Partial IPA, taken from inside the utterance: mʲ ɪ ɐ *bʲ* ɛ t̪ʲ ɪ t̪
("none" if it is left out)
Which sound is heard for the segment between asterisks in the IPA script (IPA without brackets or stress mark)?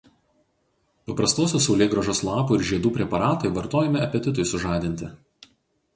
pʲ